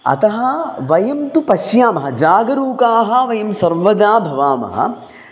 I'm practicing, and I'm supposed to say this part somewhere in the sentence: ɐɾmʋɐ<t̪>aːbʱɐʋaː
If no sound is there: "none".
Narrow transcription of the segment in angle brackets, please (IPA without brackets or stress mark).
d̪